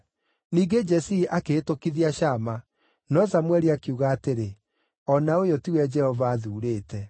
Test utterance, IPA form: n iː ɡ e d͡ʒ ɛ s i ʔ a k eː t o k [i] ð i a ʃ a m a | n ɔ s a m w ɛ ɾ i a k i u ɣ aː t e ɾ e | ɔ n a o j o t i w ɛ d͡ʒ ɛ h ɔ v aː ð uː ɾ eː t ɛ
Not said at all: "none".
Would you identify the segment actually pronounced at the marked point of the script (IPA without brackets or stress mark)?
i